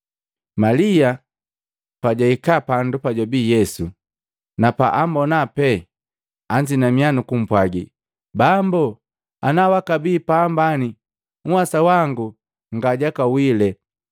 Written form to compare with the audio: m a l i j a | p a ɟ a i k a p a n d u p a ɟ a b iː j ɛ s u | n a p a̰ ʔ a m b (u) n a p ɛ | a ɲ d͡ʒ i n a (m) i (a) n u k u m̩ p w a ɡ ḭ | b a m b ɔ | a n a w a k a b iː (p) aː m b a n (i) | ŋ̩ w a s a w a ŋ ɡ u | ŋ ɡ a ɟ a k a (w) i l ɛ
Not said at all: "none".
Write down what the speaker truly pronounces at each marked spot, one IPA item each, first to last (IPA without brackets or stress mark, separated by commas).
ɔ, m, a, p, i, w